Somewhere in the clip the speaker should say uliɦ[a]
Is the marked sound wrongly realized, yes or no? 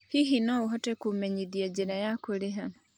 no